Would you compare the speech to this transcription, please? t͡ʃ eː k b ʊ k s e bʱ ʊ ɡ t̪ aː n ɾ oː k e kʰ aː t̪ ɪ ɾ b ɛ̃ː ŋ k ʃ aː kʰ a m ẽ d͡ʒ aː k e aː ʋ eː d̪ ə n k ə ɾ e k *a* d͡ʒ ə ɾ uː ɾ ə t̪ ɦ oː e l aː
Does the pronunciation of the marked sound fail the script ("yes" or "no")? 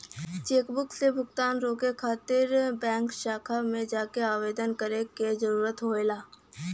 yes